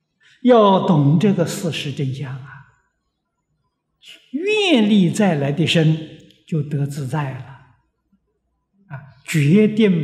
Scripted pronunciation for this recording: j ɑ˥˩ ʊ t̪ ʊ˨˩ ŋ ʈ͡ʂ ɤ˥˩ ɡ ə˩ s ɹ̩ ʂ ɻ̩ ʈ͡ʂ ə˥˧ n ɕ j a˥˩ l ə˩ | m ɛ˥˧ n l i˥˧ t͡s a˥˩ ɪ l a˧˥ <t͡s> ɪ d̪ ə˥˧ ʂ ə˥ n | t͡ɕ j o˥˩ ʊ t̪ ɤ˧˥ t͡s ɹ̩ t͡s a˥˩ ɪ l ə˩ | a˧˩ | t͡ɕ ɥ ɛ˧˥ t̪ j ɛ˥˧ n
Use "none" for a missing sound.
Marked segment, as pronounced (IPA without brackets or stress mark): none